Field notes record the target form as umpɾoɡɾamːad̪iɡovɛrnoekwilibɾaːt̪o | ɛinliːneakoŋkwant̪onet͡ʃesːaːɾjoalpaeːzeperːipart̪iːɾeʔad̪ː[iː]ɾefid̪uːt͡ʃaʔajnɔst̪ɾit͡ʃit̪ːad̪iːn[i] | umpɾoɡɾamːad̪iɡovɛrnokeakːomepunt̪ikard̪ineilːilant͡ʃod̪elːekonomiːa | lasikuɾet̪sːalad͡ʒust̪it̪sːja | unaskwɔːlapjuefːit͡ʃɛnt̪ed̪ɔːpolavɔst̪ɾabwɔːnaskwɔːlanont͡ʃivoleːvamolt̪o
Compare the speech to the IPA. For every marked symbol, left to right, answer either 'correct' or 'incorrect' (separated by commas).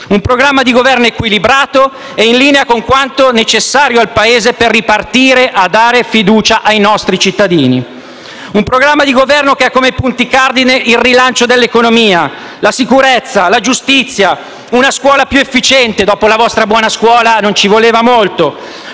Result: incorrect, correct